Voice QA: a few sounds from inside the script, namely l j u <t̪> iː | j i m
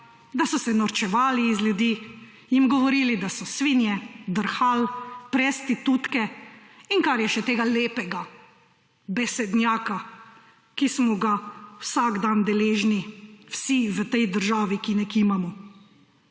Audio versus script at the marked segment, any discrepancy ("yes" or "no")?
yes